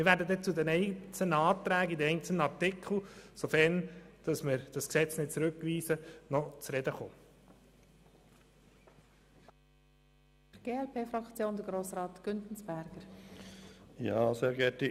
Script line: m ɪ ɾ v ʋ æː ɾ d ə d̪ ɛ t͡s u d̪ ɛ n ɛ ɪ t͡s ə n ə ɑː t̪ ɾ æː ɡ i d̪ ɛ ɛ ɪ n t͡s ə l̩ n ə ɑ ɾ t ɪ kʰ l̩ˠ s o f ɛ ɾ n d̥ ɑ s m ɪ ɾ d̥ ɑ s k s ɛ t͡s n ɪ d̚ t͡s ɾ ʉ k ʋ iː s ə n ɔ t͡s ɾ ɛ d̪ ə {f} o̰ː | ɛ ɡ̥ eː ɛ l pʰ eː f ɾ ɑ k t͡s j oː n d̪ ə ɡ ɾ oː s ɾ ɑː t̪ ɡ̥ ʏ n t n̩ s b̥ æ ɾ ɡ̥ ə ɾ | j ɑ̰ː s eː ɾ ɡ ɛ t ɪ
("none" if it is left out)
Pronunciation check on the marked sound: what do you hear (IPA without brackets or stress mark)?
χ